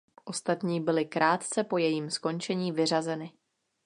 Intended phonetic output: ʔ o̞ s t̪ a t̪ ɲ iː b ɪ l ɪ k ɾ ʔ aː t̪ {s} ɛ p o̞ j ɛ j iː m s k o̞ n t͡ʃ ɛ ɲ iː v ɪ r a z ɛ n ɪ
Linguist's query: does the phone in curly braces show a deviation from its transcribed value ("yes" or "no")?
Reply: yes